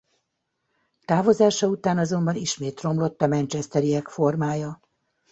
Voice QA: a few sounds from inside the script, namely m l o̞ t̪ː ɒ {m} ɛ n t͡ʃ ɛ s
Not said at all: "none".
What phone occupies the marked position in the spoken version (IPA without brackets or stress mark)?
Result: m